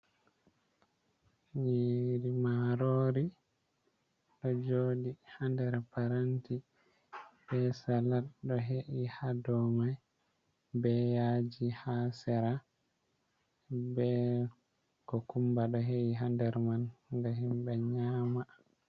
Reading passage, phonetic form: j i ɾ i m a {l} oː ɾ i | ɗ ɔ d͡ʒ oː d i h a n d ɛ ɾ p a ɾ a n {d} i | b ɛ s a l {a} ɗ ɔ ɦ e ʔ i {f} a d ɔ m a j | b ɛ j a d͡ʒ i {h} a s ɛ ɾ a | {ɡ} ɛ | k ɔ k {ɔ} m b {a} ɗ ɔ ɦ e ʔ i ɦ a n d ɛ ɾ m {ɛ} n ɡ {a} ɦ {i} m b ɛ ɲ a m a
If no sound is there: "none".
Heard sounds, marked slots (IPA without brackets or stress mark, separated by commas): ɾ, t, a, h, h, b, u, a, a, a, i